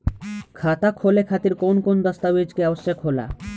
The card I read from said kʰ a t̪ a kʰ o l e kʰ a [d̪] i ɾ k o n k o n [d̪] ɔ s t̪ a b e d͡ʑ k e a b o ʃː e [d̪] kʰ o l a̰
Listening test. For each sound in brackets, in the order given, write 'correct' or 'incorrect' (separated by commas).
incorrect, correct, incorrect